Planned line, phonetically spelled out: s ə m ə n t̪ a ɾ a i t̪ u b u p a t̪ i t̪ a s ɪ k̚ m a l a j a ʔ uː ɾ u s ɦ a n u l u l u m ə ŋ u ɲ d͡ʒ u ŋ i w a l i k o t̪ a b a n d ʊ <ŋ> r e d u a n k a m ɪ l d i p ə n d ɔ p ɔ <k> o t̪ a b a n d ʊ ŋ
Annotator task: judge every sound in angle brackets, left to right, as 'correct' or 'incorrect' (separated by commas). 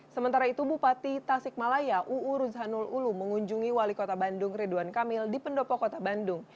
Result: correct, correct